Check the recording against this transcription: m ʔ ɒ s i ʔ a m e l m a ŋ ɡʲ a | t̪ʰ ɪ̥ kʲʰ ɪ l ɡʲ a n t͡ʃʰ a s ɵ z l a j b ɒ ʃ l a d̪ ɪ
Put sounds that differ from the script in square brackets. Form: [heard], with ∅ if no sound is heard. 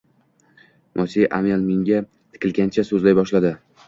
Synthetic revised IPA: m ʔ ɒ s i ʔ a m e l m [e] ŋ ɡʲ a | t̪ʰ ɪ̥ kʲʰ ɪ l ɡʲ a n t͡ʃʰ a s ɵ z l a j b ɒ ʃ l a d̪ ɪ